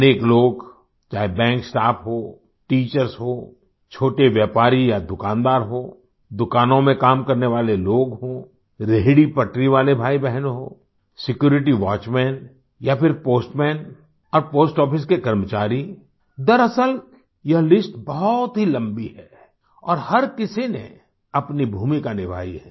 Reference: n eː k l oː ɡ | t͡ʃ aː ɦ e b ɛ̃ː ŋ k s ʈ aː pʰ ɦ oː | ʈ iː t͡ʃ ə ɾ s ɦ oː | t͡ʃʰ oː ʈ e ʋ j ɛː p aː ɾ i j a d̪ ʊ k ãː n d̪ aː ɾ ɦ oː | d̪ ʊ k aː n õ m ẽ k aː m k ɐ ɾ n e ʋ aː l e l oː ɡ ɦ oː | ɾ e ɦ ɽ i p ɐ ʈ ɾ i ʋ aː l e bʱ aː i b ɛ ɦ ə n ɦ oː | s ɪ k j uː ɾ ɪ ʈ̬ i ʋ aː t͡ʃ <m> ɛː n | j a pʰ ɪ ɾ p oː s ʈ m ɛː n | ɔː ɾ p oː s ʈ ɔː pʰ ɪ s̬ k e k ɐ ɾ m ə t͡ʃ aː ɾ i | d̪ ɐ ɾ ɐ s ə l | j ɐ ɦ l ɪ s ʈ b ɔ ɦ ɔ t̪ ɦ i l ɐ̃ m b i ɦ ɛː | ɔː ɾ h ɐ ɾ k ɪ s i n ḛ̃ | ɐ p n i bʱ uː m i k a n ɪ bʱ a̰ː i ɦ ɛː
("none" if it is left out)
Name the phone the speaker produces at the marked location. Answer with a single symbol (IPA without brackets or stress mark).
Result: m